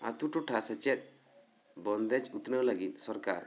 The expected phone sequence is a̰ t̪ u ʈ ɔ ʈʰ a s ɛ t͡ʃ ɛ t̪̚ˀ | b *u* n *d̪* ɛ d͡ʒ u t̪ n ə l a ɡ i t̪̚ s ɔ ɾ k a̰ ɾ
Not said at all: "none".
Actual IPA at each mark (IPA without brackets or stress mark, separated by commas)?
ɔ, d̪